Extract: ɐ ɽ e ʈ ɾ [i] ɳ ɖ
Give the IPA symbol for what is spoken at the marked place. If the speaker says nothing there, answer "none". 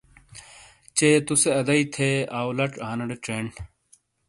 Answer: e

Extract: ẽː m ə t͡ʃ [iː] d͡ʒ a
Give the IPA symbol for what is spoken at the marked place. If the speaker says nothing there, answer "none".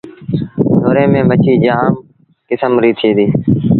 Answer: iː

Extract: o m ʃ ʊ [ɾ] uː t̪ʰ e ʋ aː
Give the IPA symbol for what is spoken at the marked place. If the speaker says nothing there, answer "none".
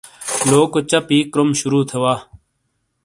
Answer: ɾ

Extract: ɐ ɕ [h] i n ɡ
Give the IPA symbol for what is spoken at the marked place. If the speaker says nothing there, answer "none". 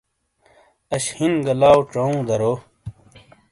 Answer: h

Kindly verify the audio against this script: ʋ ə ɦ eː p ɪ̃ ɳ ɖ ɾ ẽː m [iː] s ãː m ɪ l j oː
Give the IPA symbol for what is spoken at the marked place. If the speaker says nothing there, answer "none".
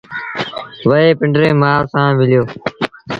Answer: aː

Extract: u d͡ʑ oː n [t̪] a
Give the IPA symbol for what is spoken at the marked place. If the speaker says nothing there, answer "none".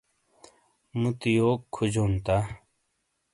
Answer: t̪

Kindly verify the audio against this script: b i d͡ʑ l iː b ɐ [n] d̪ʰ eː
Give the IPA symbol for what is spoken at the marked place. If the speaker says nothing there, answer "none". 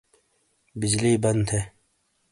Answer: n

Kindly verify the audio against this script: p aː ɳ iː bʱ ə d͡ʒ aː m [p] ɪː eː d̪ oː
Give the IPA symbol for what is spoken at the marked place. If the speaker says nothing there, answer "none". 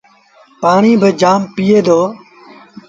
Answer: p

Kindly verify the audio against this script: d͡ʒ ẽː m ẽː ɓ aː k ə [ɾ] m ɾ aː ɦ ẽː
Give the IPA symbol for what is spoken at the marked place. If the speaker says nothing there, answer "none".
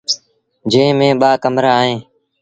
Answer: none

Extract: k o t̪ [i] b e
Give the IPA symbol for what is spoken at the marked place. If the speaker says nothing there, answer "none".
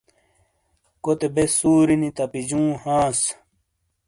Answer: e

